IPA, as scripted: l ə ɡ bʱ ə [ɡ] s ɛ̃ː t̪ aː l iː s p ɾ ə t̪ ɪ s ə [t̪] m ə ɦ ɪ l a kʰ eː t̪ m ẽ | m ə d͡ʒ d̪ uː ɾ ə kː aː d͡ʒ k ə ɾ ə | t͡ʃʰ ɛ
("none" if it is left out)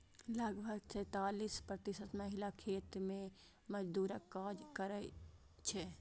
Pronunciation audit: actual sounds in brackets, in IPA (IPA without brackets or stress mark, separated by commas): ɡ, t̪